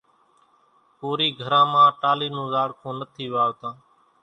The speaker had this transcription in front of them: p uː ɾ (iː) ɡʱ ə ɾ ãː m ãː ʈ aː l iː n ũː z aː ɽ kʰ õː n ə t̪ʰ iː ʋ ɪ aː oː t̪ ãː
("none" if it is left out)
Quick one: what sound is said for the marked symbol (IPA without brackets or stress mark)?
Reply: iː